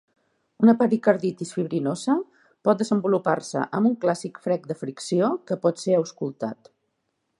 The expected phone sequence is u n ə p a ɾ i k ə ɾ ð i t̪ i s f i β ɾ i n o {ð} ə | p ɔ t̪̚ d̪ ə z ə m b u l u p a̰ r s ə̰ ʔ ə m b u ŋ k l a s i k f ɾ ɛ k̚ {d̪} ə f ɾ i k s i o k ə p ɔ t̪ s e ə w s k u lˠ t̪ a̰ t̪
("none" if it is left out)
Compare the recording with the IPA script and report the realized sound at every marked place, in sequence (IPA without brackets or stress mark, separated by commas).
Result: z, d̪